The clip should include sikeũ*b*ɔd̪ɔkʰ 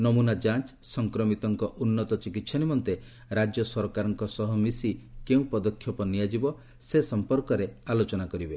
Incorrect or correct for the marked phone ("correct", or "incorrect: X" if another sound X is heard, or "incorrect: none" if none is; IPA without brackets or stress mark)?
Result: incorrect: p